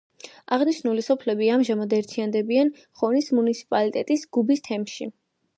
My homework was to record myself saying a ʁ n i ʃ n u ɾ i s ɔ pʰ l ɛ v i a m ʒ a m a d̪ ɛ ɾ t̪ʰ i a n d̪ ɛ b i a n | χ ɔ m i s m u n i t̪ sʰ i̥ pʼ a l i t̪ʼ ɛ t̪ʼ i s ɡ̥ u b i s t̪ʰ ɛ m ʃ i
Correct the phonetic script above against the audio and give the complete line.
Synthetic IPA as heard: a ʁ n i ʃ n u l i s ɔ pʰ l ɛ b i a m ʒ a m a d̪ ɛ ɾ t̪ʰ i a n d̪ ɛ b i a n | χ ɔ n i s m u n i t̪ sʰ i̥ pʼ a l i t̪ʼ ɛ t̪ʼ i s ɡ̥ u b i s t̪ʰ ɛ m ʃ i